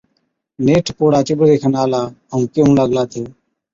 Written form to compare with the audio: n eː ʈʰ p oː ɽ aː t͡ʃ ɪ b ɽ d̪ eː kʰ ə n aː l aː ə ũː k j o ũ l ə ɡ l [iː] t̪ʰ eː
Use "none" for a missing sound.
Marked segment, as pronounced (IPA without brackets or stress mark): aː